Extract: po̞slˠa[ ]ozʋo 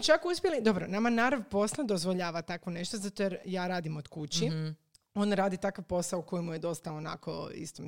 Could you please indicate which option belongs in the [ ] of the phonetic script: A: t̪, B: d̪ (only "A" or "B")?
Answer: B